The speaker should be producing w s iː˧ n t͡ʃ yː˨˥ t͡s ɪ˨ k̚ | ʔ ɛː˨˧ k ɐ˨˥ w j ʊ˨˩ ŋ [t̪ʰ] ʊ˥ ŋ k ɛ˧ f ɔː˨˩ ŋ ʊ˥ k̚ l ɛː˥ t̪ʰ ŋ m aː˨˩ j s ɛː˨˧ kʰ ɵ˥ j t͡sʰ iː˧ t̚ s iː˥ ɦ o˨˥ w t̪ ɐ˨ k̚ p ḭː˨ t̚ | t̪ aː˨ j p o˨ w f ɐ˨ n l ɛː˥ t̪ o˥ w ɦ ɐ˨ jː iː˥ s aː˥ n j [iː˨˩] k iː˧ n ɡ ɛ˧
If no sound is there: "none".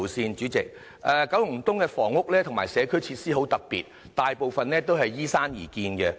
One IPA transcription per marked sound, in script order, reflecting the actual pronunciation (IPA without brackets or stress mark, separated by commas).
t̪, iː˨˩